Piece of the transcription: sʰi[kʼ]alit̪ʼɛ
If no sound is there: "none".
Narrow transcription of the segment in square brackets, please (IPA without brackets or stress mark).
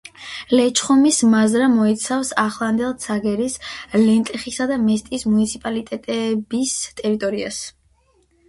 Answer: pʼ